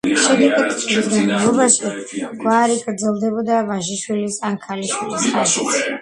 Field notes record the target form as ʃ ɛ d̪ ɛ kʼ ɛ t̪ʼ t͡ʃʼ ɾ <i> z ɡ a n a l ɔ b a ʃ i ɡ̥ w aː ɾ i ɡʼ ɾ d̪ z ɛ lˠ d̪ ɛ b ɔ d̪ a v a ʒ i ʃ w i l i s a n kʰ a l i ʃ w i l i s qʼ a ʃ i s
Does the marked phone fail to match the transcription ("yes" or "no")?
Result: no